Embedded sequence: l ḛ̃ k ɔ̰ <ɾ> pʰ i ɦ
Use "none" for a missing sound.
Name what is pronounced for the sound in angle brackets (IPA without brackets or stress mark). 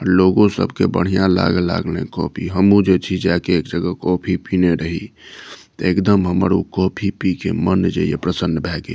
none